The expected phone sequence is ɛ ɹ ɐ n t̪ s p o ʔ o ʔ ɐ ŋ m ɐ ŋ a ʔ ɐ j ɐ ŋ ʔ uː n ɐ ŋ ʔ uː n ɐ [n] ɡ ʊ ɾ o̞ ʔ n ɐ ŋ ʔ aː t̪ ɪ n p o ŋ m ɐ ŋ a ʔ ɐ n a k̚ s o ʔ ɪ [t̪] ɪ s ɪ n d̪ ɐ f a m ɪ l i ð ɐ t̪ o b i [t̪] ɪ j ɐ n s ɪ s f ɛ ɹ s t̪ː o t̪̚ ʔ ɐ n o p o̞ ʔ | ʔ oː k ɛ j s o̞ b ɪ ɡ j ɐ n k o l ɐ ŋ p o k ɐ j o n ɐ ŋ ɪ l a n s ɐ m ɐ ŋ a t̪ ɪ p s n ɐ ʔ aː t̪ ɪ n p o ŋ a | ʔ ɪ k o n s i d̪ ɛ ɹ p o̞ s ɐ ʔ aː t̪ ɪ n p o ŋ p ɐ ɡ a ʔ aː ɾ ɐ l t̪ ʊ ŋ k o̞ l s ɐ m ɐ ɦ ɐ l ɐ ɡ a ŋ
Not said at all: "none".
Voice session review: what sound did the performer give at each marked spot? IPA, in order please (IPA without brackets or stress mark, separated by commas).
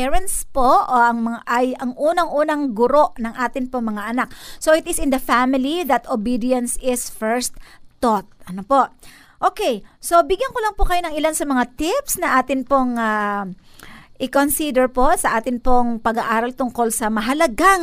ŋ, t̪, d̪